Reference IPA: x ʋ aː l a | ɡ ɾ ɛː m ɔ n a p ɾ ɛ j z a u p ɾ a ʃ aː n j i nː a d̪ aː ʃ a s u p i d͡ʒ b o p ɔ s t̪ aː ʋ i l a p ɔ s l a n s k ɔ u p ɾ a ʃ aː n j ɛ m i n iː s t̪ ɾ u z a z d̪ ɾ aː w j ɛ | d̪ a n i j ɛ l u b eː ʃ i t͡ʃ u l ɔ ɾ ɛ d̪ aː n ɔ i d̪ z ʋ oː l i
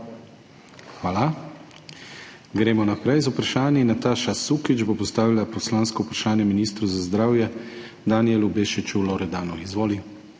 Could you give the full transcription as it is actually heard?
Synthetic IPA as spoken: x ʋ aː l a | ɡ ɾ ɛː m ɔ n a p ɾ ɛ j z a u p ɾ a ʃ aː n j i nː a t̪ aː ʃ a s u k i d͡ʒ b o p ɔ s t̪ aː ʋ i l a p ɔ s l a n s k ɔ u p ɾ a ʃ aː n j ɛ m i n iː s t̪ ɾ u z a z d̪ ɾ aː w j ɛ | d̪ a n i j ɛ l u b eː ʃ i t͡ʃ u l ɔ ɾ ɛ d̪ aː n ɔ i z ʋ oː l i